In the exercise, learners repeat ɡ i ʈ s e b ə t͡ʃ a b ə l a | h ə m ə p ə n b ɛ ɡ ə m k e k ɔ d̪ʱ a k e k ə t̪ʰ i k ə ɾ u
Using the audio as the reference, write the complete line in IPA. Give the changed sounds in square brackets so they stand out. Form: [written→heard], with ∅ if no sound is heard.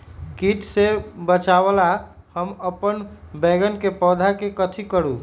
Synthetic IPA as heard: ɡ i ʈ s e b ə t͡ʃ a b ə l a | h ə m ə p ə n b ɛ ɡ ə [m→n] k e [k→p] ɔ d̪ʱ a k e k ə t̪ʰ i k ə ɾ u